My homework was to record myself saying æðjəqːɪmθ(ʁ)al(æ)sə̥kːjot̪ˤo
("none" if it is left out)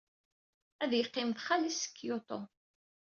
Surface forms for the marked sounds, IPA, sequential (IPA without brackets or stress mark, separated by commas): χ, i